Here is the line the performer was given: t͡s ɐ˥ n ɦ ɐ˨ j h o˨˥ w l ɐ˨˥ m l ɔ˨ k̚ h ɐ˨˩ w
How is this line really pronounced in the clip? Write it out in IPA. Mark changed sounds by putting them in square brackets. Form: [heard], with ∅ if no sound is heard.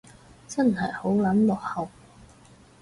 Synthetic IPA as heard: t͡s ɐ˥ n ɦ ɐ˨ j h o˨˥ w l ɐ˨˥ [n] l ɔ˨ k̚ h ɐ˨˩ w